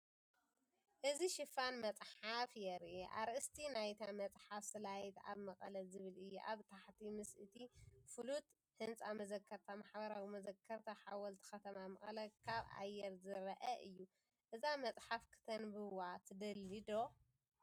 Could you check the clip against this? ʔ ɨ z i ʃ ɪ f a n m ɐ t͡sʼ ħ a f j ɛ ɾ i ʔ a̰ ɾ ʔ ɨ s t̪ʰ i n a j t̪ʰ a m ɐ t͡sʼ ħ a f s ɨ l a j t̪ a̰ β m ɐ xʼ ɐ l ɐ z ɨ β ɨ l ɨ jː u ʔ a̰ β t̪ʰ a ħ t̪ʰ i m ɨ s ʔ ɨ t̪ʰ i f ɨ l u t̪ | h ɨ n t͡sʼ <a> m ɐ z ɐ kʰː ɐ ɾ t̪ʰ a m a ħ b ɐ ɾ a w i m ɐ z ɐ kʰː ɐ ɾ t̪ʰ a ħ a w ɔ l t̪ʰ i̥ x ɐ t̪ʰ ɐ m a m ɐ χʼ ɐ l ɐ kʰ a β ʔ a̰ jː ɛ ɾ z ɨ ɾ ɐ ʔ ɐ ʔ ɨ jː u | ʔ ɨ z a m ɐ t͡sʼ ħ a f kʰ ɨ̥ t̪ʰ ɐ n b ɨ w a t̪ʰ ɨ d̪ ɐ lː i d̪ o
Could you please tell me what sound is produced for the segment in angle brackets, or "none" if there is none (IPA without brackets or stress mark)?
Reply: a